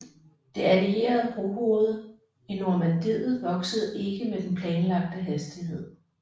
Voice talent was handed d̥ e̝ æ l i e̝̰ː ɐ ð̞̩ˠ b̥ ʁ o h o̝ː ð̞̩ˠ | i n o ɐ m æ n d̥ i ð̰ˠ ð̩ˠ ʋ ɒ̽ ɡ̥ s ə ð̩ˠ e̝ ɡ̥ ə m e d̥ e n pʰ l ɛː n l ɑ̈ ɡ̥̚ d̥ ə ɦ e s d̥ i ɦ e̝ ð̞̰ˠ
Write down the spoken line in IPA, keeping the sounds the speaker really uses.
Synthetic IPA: d̥ e̝ æ l i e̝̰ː ɐ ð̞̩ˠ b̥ ʁ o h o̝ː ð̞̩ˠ | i n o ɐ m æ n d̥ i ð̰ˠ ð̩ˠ ʋ ɒ̽ ɡ̥ s ə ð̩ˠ e̝ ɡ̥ ə m e d̥ e n pʰ l ɛː n l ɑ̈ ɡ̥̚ d̥ ə ɦ æ s d̥ i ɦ e̝ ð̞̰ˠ